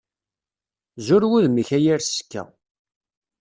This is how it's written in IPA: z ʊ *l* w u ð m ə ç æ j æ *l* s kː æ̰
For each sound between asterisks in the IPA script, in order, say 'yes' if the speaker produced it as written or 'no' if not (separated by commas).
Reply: no, no